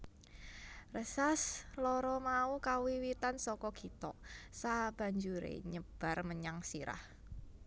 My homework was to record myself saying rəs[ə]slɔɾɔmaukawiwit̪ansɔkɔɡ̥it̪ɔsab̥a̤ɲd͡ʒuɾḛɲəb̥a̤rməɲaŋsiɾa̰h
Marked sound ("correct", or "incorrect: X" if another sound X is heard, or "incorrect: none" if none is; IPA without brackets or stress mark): incorrect: a